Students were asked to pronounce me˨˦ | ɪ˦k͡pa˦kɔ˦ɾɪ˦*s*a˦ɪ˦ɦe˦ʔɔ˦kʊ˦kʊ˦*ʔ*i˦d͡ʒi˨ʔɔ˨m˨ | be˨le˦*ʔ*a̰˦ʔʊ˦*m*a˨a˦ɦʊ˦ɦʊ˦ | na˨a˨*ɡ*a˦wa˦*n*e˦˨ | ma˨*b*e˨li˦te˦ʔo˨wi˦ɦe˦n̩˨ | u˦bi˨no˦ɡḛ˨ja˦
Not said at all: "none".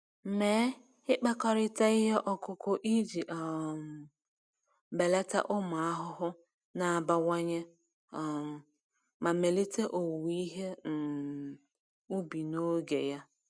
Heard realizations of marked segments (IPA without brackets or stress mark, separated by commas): t, ʔ, t, m, b, ɲ, m